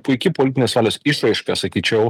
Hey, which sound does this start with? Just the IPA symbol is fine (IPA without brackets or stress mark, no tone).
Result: p